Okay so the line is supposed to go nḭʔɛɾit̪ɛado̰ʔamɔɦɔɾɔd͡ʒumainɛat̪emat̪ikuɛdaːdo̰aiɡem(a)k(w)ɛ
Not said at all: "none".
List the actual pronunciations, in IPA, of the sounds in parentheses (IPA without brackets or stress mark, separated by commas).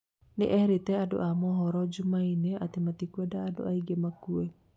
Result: a, u